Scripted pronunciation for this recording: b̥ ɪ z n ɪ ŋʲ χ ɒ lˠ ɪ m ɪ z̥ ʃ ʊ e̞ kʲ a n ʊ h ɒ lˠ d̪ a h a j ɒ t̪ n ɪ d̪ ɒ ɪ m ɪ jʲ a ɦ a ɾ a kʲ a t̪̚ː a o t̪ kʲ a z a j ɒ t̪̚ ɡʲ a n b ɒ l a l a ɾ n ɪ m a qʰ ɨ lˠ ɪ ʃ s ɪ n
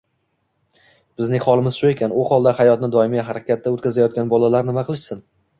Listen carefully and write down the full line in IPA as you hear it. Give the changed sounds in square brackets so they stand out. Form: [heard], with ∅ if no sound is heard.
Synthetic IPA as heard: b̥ ɪ z n ɪ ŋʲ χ ɒ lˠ ɪ m ɪ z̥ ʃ ʊ e̞ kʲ a n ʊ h ɒ lˠ d̪ a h a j ɒ t̪ n ɪ d̪ ɒ ɪ m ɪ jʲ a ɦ a ɾ a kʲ a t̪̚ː a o t̪ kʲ a z a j ɒ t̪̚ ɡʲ a n b ɒ l a l a ɾ n ɪ m a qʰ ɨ lˠ ɪ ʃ s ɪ n